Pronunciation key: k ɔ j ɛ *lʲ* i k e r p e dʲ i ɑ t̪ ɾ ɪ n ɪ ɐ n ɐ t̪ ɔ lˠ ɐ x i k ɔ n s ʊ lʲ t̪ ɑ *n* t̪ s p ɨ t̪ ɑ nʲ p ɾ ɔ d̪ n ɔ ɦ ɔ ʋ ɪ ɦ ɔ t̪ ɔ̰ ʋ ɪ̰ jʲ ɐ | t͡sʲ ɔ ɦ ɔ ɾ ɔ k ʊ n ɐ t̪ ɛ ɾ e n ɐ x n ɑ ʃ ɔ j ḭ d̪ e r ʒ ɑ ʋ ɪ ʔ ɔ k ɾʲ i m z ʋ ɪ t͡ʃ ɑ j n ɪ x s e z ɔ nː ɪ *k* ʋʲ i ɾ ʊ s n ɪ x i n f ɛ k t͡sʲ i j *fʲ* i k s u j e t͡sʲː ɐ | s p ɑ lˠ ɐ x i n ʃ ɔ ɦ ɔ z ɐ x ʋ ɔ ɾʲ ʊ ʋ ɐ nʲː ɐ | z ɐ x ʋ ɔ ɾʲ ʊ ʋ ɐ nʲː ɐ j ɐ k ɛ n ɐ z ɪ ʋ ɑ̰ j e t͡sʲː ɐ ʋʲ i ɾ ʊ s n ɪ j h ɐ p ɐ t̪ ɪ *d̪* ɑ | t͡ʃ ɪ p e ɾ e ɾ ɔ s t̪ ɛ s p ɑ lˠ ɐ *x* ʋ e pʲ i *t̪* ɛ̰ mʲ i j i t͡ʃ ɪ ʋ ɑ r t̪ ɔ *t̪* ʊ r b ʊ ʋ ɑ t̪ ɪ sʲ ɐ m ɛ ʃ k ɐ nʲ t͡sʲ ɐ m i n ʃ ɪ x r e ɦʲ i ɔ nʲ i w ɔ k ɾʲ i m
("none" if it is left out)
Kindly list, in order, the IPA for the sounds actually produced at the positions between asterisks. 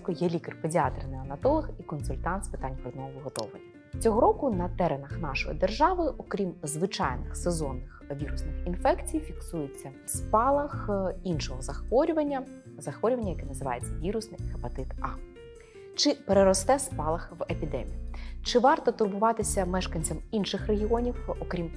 lʲ, n, x, fʲ, t̪, x, d̪, t̪

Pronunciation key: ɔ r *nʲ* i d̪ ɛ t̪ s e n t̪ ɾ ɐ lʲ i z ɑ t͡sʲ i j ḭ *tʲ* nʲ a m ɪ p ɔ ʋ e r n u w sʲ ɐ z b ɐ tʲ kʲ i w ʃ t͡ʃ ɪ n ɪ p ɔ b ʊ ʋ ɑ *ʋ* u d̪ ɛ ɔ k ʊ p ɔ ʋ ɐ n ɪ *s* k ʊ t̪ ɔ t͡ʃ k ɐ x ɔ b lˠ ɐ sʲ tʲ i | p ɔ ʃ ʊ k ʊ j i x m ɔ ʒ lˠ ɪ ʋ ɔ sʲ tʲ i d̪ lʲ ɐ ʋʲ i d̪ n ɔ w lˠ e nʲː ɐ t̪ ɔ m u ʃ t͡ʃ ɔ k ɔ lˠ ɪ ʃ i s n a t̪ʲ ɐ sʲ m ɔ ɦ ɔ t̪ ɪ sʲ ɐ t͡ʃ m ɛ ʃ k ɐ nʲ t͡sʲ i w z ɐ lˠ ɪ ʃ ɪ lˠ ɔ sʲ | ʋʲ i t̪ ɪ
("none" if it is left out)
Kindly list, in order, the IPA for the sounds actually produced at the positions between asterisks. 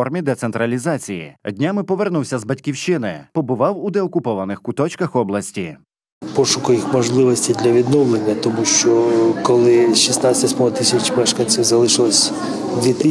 mʲ, dʲ, w, x

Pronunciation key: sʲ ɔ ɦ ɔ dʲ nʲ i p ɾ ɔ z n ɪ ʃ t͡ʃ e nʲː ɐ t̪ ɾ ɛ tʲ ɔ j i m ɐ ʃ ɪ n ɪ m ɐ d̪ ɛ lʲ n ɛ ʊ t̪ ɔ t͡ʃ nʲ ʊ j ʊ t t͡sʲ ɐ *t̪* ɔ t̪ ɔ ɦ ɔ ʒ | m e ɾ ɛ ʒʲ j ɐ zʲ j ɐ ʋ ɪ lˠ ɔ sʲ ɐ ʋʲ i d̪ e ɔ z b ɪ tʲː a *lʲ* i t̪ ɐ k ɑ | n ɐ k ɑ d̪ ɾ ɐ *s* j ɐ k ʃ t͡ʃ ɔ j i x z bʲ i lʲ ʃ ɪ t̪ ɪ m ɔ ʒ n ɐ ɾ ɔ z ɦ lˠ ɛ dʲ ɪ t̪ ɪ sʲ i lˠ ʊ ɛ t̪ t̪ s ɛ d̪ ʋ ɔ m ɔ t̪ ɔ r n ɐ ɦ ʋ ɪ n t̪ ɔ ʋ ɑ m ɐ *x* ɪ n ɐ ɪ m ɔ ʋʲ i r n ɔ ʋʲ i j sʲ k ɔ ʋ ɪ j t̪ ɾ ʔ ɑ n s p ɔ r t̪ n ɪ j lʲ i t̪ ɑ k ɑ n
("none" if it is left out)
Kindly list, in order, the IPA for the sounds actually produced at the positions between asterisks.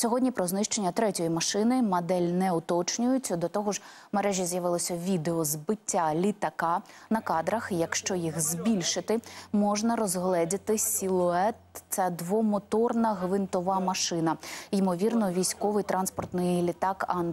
d̪, lʲ, x, ʃ

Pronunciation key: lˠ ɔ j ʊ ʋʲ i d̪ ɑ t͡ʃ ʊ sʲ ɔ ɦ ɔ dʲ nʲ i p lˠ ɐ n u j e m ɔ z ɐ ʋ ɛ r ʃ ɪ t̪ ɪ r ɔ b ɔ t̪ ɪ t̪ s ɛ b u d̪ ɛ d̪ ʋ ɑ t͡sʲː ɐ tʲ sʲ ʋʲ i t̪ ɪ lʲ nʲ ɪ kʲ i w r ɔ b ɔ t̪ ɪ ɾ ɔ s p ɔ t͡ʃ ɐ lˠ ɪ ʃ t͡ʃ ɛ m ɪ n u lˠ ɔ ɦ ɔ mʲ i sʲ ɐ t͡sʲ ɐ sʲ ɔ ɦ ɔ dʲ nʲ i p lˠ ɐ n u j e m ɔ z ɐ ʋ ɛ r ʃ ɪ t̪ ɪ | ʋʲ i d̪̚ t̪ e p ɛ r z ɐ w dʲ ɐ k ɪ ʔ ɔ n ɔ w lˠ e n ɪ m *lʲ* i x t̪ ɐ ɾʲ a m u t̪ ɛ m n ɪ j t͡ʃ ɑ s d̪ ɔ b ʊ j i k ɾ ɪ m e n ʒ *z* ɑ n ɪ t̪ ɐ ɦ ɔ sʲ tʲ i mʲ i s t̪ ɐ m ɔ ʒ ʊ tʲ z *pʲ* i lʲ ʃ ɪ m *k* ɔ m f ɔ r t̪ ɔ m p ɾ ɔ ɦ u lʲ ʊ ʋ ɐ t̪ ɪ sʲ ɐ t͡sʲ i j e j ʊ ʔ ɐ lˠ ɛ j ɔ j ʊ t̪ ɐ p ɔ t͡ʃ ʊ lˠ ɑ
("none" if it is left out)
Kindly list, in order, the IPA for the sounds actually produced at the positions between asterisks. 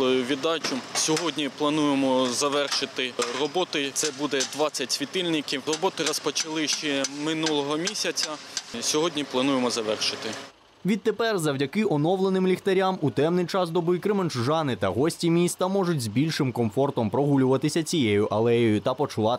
lʲ, ʒ, bʲ, k

